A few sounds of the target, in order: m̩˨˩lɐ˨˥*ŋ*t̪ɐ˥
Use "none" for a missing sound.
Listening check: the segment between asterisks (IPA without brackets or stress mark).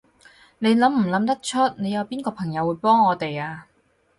m